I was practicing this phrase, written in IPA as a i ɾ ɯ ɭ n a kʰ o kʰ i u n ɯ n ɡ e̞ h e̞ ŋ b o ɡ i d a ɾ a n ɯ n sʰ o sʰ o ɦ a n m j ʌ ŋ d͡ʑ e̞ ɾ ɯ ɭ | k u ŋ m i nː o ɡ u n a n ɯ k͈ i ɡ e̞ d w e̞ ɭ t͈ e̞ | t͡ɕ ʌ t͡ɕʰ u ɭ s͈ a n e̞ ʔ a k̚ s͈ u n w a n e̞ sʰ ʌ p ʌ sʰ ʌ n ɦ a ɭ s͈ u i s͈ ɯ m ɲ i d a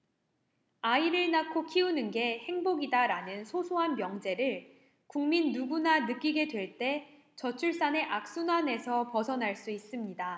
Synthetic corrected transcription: a i ɾ ɯ ɭ n a kʰ o kʰ i u n ɯ n ɡ e̞ h e̞ ŋ b o ɡ i d a ɾ a n ɯ n sʰ o sʰ o ɦ a n m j ʌ ŋ d͡ʑ e̞ ɾ ɯ ɭ | k u ŋ m i nː u ɡ u n a n ɯ k͈ i ɡ e̞ d w e̞ ɭ t͈ e̞ | t͡ɕ ʌ t͡ɕʰ u ɭ s͈ a n e̞ ʔ a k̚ s͈ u n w a n e̞ sʰ ʌ p ʌ sʰ ʌ n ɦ a ɭ s͈ u i s͈ ɯ m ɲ i d a